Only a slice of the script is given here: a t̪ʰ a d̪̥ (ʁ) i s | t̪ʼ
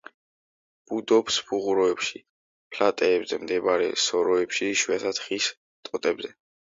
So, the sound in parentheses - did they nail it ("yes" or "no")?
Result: no